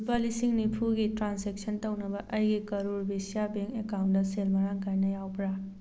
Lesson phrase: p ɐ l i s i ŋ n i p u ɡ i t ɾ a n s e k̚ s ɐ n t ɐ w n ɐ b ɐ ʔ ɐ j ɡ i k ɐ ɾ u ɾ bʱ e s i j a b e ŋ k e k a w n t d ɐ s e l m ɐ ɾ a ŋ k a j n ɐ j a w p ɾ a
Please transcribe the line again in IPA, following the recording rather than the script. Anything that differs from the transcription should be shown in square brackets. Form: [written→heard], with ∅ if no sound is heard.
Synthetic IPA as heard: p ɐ l i s i ŋ n i [p→pʰ] u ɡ i t ɾ a n s e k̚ s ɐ n t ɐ w n ɐ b ɐ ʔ ɐ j ɡ i k ɐ ɾ u ɾ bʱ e s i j a b e ŋ k e k a w n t d ɐ s e l m ɐ ɾ a ŋ k a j n ɐ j a w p ɾ a